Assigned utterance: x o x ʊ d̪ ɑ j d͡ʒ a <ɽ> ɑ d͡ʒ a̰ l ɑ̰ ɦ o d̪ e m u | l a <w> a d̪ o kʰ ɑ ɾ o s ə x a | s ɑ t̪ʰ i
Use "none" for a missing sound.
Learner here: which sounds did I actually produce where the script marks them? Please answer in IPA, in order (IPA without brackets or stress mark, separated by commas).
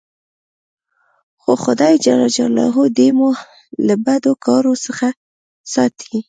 l, b